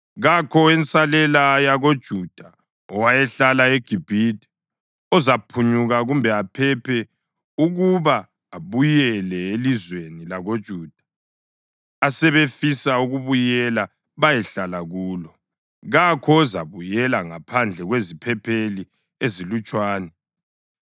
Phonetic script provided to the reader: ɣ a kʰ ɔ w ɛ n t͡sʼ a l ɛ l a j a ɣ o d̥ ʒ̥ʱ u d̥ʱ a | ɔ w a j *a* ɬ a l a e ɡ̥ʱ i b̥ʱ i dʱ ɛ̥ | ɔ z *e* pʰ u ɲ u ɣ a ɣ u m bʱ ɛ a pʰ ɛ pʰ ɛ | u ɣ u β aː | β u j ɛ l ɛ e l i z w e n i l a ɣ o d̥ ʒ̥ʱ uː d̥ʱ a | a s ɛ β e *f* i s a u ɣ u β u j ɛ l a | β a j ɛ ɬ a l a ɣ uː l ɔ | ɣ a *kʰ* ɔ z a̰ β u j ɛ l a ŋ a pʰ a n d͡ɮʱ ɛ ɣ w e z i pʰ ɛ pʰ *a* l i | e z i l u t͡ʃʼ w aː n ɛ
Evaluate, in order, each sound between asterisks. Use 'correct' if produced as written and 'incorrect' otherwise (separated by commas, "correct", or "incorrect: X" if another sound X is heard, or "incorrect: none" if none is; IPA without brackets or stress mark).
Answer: incorrect: ɛ, incorrect: a, correct, correct, incorrect: e